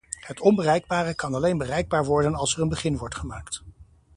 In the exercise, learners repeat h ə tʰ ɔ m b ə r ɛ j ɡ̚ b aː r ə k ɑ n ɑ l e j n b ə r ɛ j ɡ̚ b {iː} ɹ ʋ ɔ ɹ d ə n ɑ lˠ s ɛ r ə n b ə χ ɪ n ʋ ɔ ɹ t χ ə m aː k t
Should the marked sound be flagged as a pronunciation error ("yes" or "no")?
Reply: yes